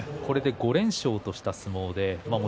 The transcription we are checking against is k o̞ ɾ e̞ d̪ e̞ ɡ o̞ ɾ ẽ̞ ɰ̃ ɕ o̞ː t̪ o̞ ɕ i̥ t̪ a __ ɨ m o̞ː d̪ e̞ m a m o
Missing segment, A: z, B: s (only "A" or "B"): B